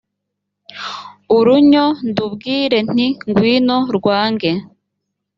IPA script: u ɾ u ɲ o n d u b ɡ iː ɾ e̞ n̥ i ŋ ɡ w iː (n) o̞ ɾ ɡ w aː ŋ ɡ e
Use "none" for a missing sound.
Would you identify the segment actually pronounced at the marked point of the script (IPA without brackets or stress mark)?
n